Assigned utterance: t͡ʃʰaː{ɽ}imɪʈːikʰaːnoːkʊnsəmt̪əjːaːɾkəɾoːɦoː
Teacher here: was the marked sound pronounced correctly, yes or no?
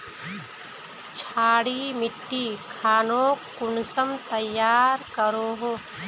yes